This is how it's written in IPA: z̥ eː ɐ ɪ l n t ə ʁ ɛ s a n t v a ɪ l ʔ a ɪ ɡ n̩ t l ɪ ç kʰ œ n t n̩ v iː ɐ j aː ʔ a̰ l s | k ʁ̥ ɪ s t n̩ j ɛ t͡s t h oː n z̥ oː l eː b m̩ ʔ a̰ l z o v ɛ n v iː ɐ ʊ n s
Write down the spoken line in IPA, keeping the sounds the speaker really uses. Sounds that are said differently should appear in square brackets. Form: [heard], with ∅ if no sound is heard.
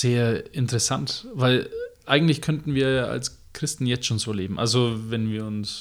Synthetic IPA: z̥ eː ɐ ɪ [∅] n t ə ʁ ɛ s a n t v a ɪ l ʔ a ɪ ɡ [ŋ̩] t l ɪ ç kʰ œ n t n̩ v iː ɐ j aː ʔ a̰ l s | k ʁ̥ ɪ s t n̩ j ɛ t͡s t [ʃ] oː n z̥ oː l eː b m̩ ʔ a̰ l z o v ɛ n v iː ɐ ʊ n s